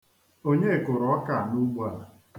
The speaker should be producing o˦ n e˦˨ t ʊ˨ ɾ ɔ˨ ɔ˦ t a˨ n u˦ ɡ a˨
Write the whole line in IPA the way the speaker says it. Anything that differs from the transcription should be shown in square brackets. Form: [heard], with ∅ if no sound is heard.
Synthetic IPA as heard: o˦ [ɲ] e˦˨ [k] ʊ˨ ɾ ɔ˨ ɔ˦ [k] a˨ n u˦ [ɡ͡b] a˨